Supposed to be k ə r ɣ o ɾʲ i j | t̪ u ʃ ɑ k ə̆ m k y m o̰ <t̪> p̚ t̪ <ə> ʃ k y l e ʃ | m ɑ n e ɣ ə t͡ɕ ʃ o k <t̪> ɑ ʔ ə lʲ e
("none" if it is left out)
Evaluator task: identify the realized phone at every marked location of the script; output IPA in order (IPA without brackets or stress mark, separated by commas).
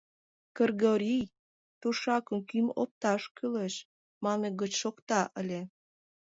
none, ɑ, t̪